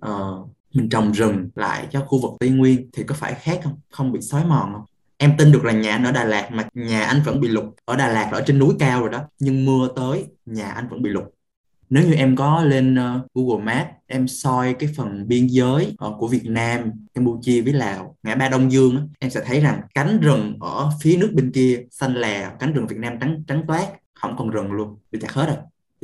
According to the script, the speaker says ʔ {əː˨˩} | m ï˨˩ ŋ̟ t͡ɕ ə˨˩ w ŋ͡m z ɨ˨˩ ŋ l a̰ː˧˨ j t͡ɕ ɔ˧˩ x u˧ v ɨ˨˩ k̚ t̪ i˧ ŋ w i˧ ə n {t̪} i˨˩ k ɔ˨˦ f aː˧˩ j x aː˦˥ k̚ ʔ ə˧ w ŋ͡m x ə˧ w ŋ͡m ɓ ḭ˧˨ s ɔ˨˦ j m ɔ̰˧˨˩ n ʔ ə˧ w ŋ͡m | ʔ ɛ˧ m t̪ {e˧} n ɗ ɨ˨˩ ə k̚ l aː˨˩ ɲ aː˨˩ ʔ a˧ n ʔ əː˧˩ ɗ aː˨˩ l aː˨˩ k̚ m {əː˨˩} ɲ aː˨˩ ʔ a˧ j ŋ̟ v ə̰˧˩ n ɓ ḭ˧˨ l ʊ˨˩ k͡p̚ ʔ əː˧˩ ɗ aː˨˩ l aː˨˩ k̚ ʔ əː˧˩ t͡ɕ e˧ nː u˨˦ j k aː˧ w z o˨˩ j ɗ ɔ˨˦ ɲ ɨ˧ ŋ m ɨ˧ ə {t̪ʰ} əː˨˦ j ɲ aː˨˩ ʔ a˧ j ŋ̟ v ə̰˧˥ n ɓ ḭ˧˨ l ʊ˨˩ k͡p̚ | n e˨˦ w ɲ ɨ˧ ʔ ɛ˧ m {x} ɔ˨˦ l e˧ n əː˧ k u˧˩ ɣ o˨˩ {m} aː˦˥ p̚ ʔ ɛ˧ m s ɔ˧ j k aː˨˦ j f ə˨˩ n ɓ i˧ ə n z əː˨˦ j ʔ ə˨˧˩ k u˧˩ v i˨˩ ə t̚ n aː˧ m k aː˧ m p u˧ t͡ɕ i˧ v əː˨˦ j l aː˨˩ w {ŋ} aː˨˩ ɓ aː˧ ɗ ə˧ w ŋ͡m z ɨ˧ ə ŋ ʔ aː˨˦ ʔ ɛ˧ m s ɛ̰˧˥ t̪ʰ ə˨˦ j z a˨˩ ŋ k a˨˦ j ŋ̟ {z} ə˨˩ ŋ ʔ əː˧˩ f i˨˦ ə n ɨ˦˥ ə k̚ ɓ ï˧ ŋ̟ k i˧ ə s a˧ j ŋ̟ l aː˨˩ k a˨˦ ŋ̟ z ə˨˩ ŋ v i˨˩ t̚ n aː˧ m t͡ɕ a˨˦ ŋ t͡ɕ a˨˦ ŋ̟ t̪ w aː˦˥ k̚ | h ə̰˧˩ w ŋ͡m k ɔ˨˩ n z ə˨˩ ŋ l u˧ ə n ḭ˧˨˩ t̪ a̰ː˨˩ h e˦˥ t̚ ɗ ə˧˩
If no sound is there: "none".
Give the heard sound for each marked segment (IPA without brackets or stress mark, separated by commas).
əː˨˩, t̪ʰ, i˧, aː˨˩, t̪, k, m, ŋ, z